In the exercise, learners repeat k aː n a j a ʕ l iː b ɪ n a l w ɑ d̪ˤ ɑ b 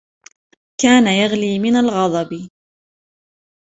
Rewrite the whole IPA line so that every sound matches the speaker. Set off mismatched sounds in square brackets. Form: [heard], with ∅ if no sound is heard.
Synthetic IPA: k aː n a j a [ɣ] l iː [m] ɪ n a l [ɣ] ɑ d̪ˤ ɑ b